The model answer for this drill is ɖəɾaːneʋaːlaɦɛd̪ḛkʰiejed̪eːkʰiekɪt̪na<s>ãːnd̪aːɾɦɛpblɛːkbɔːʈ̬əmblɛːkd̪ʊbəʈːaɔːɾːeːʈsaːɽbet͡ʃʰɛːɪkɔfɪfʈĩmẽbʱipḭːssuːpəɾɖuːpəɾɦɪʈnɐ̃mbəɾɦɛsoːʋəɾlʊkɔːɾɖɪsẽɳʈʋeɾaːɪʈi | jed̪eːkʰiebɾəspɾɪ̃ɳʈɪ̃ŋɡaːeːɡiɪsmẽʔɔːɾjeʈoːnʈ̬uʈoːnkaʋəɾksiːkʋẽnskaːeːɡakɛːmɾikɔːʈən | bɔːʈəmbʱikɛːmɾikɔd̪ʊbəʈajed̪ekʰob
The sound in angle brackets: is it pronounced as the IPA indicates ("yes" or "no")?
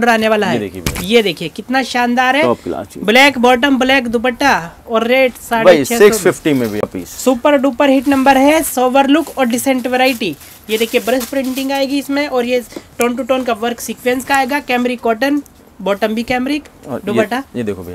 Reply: no